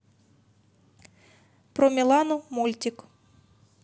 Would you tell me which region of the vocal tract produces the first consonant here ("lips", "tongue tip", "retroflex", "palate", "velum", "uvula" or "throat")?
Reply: lips